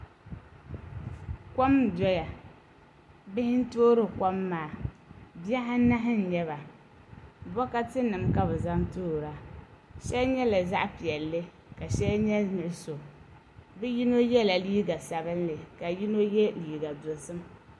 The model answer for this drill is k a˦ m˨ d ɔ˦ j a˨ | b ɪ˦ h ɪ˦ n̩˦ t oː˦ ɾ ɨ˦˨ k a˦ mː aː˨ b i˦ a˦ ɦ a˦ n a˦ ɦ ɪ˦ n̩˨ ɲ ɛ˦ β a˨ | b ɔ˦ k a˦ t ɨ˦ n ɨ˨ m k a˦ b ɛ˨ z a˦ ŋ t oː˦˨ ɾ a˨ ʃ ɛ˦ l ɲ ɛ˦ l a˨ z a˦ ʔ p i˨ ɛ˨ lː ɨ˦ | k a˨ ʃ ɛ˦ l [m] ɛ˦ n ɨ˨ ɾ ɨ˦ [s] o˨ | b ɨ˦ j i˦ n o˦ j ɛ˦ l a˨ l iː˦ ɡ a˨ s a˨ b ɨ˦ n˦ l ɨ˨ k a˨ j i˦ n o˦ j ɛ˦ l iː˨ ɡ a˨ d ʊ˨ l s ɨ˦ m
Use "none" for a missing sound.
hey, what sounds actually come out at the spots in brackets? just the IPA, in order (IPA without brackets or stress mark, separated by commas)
ɲ, s